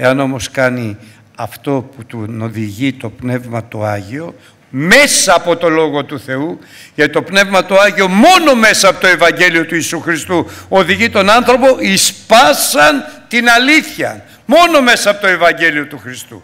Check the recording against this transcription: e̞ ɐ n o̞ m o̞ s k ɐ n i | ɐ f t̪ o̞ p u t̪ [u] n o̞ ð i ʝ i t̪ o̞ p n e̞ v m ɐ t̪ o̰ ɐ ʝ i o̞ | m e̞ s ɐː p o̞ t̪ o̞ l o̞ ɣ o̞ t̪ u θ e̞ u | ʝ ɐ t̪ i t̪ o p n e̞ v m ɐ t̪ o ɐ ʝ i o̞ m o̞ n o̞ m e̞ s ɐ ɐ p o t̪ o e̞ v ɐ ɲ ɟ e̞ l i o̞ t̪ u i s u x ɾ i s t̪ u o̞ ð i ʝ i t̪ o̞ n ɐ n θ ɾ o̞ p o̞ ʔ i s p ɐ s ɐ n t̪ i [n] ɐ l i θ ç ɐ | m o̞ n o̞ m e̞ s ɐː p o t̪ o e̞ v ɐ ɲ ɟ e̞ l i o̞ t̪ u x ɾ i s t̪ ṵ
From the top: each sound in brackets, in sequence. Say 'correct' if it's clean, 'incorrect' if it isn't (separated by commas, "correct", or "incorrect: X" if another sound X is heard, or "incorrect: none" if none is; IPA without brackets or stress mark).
correct, correct